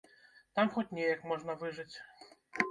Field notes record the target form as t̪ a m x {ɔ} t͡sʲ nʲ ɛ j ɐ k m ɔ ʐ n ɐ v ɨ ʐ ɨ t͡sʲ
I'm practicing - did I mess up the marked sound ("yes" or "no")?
no